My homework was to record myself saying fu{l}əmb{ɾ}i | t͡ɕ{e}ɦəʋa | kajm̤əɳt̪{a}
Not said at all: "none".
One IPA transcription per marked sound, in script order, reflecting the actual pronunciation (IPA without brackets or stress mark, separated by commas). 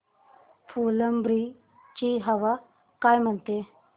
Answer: l, ɾ, i, e